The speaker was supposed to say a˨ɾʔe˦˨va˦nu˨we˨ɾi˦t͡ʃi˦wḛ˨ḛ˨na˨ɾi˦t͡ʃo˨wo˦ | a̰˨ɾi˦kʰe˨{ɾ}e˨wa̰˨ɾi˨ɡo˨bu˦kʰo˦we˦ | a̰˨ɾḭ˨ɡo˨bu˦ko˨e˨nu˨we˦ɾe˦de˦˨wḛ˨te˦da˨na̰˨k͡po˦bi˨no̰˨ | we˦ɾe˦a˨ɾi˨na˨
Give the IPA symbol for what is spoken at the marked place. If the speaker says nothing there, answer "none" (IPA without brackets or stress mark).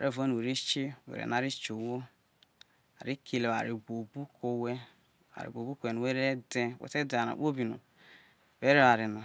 l